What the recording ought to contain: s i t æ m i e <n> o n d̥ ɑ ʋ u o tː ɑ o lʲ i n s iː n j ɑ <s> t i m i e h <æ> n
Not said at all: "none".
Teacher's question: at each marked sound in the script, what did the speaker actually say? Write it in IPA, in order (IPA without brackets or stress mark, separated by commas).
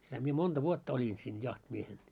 m, h, e